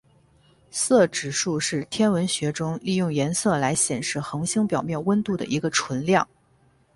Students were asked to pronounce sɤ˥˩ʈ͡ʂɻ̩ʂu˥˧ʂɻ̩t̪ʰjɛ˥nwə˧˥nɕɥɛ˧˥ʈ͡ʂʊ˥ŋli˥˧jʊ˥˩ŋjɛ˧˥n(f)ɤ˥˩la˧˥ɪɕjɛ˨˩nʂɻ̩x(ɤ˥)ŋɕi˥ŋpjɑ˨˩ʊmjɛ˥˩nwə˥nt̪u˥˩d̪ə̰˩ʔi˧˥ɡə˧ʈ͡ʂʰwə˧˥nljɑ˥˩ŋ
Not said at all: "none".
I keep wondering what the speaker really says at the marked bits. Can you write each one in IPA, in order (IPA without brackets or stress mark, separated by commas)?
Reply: s, ɤ˧˥